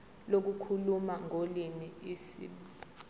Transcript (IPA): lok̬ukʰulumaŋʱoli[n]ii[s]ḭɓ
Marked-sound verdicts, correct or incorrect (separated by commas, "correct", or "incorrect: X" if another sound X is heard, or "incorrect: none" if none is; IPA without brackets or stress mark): incorrect: m, correct